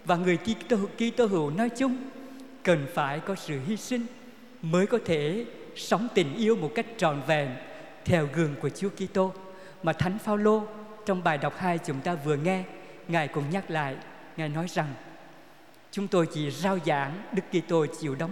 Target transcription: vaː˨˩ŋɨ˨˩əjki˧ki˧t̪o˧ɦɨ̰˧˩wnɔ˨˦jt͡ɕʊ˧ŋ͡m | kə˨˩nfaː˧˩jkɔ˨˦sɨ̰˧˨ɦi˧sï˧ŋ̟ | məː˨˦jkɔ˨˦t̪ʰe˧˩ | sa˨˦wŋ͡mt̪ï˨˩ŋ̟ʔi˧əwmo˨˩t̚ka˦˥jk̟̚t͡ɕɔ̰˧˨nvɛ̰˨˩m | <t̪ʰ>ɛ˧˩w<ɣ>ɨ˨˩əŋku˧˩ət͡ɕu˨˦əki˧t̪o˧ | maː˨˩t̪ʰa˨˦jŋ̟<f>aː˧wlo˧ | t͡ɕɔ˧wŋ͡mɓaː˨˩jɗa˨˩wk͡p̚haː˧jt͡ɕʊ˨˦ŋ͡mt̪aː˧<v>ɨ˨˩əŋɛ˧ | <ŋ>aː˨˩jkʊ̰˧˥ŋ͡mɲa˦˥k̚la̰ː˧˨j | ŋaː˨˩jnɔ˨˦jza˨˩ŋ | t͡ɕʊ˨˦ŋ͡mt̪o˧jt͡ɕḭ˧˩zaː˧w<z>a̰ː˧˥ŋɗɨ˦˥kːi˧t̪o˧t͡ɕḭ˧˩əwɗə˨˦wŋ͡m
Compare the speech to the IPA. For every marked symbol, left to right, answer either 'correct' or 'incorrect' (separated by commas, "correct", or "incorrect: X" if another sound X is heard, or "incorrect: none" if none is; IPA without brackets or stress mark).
correct, correct, correct, correct, correct, correct